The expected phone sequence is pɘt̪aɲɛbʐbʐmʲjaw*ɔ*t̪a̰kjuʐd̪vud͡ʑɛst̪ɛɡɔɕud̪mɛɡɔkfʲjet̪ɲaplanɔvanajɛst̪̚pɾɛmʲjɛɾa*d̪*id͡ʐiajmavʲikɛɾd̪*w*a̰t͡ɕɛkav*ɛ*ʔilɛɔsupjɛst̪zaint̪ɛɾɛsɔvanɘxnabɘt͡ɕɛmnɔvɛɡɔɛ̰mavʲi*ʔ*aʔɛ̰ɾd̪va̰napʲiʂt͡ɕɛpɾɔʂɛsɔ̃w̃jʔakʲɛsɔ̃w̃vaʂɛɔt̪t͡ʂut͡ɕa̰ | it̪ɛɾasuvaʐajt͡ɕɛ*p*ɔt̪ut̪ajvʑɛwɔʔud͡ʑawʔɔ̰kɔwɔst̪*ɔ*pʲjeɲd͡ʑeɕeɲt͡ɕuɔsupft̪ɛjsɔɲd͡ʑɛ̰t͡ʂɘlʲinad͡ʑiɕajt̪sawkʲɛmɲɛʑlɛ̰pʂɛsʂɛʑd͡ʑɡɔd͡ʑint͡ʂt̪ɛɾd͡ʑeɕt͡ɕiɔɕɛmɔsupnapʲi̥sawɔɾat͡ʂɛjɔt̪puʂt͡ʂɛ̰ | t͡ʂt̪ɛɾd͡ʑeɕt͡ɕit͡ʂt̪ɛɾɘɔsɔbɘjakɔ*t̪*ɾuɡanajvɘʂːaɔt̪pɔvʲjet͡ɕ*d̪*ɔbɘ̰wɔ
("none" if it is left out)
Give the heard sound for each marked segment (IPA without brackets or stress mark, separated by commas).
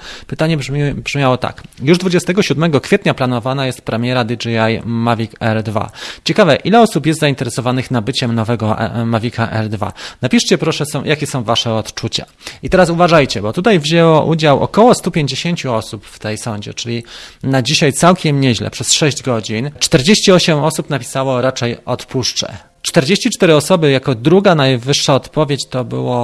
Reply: ɔ, d̪, v, ɛ, k, b, u, d̪, t̪